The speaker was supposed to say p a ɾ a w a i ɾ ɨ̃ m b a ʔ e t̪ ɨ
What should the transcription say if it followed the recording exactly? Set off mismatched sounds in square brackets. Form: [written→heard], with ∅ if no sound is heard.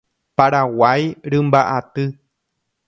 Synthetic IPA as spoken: p a ɾ a w a [i→j] ɾ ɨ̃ m b a ʔ [e→a] t̪ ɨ